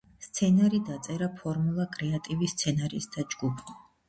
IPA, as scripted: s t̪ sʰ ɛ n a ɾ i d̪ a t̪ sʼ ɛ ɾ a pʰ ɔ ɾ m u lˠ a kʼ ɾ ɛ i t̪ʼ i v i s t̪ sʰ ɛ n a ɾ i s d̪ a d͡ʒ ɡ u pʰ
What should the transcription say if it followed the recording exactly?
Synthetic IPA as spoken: s t̪ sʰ ɛ n a ɾ i d̪ a t̪ sʼ ɛ ɾ a pʰ ɔ ɾ m u lˠ a kʼ ɾ ɛ a t̪ʼ i v i s t̪ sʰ ɛ n a ɾ i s d̪ a d͡ʒ ɡ u pʰ